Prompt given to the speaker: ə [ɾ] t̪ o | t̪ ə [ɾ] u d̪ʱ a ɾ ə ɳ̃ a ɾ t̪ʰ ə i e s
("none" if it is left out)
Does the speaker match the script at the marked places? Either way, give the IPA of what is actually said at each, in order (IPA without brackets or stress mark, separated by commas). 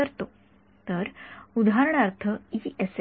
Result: ɾ, ɾ